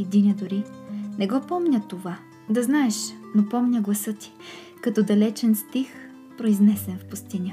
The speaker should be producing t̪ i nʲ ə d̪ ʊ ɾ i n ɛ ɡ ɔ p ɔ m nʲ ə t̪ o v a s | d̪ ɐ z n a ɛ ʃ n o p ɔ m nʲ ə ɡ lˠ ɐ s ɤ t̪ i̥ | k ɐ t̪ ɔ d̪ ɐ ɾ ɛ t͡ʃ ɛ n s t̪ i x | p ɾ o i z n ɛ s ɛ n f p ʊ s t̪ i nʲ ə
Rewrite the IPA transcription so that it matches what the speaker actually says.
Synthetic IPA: d̪ i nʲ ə d̪ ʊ ɾ i n ɛ ɡ ɔ p ɔ m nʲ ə t̪ o v a | d̪ ɐ z n a ɛ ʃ n o p ɔ m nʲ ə ɡ lˠ ɐ s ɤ t̪ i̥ | k ɐ t̪ ɔ d̪ ɐ l ɛ t͡ʃ ɛ n s t̪ i x | p ɾ o i z n ɛ s ɛ n f p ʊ s t̪ i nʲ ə